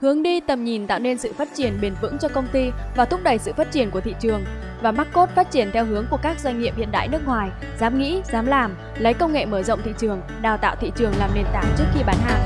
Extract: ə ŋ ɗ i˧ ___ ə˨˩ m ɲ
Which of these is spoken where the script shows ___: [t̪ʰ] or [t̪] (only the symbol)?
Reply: t̪